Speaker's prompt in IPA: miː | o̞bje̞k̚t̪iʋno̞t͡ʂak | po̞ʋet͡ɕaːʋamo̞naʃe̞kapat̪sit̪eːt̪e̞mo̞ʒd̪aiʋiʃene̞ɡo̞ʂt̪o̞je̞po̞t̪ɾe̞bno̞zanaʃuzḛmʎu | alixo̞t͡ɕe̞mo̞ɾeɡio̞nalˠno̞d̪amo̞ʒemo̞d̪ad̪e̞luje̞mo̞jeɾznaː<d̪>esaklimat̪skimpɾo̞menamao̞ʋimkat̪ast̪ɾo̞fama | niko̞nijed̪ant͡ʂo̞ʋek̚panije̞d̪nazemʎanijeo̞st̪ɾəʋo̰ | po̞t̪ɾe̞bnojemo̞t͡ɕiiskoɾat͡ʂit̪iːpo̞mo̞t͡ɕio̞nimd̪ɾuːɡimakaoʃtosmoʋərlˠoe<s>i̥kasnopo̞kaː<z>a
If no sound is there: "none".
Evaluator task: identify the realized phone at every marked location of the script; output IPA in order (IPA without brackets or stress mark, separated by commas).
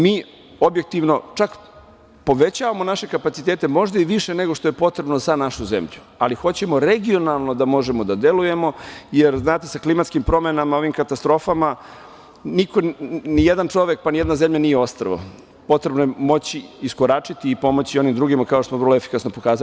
t̪, f, z